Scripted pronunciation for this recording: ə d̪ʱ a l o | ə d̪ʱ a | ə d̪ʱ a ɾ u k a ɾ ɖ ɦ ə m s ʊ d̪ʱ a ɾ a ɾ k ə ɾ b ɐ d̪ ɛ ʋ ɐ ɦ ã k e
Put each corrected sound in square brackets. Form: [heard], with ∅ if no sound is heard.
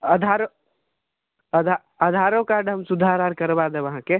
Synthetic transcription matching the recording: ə d̪ʱ a [ɾ] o | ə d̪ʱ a | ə d̪ʱ a ɾ [o] k a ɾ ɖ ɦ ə m s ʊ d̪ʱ a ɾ a ɾ k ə ɾ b [a] d̪ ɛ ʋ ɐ ɦ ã k e